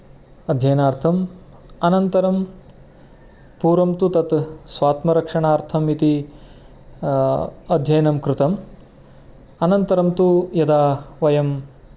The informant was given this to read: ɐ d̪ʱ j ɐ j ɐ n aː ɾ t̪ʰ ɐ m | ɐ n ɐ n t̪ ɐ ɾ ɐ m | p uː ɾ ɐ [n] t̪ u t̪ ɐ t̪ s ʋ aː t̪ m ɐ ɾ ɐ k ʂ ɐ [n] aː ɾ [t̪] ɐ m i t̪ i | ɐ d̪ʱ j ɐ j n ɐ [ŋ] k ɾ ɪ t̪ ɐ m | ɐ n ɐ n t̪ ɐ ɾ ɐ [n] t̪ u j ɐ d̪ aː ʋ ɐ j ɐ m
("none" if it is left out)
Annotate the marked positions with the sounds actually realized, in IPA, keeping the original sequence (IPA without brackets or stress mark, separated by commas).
m, ɳ, t̪ʰ, m, m